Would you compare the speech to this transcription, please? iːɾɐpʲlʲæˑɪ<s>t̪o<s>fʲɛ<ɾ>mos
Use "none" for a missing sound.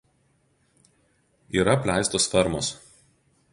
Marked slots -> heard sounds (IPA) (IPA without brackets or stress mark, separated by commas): s, s, ɾ